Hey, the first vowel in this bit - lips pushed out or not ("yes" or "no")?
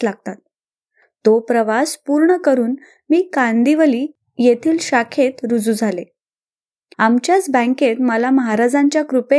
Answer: no